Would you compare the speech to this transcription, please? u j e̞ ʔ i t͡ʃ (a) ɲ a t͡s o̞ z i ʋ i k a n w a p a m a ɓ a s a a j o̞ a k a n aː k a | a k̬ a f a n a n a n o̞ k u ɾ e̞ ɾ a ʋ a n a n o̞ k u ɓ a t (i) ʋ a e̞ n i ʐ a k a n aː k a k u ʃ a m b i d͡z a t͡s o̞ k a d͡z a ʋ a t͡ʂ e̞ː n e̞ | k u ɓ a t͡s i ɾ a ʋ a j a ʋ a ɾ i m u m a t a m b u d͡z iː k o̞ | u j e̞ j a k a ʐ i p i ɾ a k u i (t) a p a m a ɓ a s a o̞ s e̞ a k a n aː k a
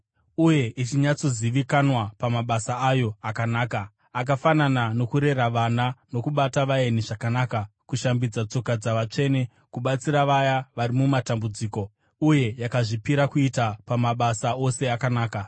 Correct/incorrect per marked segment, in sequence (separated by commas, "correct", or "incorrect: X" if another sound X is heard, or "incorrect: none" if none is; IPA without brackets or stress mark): incorrect: i, incorrect: a, correct